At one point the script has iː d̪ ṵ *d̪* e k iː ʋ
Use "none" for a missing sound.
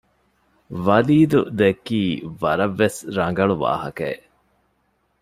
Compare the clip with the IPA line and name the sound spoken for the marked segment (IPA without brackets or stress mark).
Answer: d̪